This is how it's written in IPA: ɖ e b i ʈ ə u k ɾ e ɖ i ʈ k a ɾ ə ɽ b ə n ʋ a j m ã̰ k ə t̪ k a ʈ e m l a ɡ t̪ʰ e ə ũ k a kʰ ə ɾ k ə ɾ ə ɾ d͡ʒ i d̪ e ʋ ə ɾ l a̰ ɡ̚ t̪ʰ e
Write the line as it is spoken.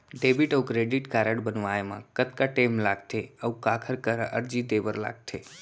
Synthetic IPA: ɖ e b i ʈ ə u k ɾ e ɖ i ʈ k a ɾ ə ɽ b ə n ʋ a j m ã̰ k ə t̪ k a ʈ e m l a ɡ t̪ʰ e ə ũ k a kʰ ə ɾ k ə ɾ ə ɾ d͡ʒ i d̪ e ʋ ə ɾ l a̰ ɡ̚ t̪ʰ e